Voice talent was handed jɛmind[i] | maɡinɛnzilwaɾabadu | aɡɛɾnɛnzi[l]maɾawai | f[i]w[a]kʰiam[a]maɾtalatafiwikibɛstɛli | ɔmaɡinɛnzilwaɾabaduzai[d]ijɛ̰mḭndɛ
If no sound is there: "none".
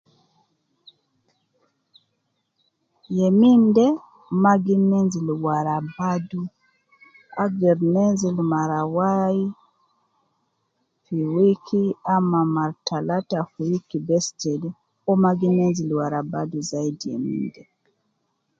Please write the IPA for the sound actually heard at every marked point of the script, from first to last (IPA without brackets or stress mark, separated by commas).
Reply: ɛ, l, i, i, a, d